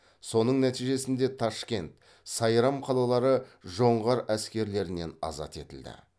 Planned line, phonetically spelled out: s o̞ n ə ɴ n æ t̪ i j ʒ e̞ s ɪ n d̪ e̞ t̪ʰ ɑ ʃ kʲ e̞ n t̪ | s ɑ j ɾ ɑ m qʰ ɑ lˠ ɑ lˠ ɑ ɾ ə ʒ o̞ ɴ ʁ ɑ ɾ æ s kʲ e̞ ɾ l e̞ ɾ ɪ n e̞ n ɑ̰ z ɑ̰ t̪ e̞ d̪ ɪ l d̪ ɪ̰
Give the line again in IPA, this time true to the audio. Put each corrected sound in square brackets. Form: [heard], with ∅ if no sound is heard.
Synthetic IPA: s o̞ n ə ɴ n æ t̪ i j ʒ e̞ s ɪ n d̪ e̞ t̪ʰ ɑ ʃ kʲ e̞ n t̪ | s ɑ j ɾ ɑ m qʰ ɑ lˠ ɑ lˠ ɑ ɾ ə ʒ o̞ ɴ ʁ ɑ ɾ æ s kʲ e̞ ɾ l e̞ ɾ ɪ n e̞ n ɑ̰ z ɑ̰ t̪ e̞ [t̪] ɪ l d̪ ɪ̰

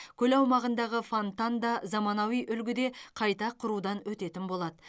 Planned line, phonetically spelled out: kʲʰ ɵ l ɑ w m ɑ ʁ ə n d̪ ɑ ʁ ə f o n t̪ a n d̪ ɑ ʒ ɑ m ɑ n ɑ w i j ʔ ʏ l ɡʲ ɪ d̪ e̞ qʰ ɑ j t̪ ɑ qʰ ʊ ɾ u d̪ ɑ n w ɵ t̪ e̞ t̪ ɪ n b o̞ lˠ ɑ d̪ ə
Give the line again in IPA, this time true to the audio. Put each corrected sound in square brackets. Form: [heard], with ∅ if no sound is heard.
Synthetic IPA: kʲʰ ɵ l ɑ w m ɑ ʁ ə n d̪ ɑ ʁ ə f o n t̪ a n d̪ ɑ [z] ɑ m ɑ n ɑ w i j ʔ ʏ l ɡʲ ɪ d̪ e̞ qʰ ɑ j t̪ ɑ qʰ ʊ ɾ u d̪ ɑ n w ɵ t̪ e̞ t̪ ɪ n b o̞ lˠ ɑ d̪ ə

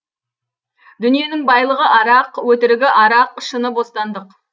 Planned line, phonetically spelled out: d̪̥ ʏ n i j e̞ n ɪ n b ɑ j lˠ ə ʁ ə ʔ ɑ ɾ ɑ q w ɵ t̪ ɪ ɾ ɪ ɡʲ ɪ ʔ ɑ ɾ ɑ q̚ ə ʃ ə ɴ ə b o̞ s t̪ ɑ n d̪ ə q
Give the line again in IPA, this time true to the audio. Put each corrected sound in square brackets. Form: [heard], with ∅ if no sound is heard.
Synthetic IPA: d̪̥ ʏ n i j e̞ n ɪ [ŋ] b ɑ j lˠ ə ʁ ə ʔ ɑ ɾ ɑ q w ɵ t̪ ɪ ɾ ɪ ɡʲ ɪ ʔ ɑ ɾ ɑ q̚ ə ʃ ə [n] ə b o̞ s t̪ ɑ n d̪ ə q

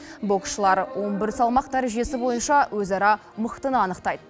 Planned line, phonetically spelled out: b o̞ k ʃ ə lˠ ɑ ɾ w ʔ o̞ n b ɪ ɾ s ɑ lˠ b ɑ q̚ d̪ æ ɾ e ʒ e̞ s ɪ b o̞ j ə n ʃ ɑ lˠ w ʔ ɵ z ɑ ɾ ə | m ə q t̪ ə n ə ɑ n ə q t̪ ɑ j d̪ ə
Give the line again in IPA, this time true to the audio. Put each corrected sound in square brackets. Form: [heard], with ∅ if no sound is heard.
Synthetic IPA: b o̞ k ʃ ə lˠ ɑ ɾ w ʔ o̞ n b ɪ ɾ s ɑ lˠ [m] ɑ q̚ d̪ æ ɾ e ʒ e̞ s ɪ b o̞ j ə n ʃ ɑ [∅] w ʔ ɵ z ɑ ɾ [ɑ] | m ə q t̪ ə n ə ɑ n ə q t̪ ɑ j d̪ ə

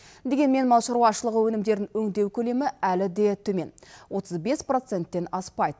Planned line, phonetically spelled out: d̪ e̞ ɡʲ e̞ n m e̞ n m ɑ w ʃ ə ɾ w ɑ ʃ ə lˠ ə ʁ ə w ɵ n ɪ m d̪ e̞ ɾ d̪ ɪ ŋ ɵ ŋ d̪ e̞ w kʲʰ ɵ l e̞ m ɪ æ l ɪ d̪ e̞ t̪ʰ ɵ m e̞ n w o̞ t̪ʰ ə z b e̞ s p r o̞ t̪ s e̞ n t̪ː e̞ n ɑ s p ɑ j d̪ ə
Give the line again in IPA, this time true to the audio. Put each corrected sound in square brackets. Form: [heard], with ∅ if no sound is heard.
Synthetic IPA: d̪ e̞ ɡʲ e̞ n m e̞ n m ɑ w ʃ ə ɾ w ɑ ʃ ə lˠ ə ʁ ə w ɵ n ɪ m d̪ e̞ ɾ d̪ ɪ ŋ ɵ ŋ d̪ e̞ w kʲʰ ɵ l e̞ m ɪ æ l ɪ d̪ e̞ t̪ʰ ɵ m e̞ n w o̞ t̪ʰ ə z b e̞ s p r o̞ t̪ s e̞ n t̪ː e̞ n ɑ s p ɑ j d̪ ə

